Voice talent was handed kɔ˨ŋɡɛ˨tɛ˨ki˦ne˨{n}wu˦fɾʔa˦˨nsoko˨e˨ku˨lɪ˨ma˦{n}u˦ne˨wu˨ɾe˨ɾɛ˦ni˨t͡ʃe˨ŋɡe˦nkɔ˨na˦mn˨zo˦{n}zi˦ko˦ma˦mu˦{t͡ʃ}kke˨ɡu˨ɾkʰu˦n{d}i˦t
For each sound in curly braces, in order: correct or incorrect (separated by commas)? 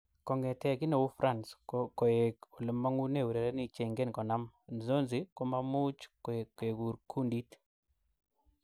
incorrect, incorrect, correct, correct, correct